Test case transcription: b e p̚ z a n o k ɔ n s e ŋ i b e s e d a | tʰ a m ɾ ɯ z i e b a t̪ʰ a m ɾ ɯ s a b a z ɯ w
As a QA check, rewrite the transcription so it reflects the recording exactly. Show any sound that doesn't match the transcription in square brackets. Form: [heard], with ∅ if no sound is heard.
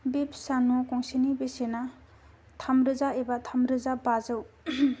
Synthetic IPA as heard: b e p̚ [s] a n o k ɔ [ŋ] s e [n] i b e s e [n] a | tʰ a m ɾ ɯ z [a] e b a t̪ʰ a m ɾ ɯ [z] a b a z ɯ w